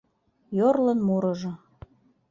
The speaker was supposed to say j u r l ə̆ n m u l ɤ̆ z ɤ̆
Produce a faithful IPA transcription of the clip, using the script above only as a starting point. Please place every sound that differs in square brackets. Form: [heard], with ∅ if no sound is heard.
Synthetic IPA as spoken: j [o] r l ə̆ n m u [ɾ] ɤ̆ [ʒ] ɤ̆